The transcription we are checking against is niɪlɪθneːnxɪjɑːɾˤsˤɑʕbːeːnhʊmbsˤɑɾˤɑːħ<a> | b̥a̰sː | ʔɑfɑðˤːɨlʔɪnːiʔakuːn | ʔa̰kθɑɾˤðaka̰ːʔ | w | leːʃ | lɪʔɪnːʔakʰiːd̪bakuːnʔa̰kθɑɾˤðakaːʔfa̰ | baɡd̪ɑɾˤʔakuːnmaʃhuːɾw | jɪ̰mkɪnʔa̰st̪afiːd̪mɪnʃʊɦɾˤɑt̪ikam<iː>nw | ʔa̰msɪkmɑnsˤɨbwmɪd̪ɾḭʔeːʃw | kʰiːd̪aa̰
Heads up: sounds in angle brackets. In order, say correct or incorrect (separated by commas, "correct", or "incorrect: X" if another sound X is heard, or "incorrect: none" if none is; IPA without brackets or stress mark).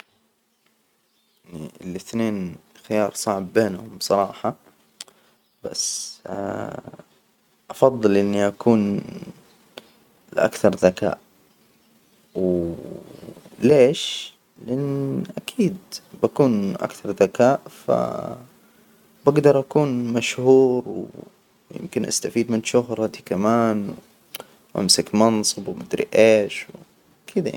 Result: incorrect: ɑ, incorrect: aː